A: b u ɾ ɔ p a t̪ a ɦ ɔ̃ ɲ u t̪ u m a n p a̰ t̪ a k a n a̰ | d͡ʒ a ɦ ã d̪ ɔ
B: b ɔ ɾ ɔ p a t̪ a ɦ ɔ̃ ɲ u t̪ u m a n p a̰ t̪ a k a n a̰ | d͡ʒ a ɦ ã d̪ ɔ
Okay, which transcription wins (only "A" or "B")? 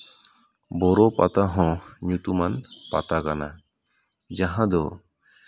B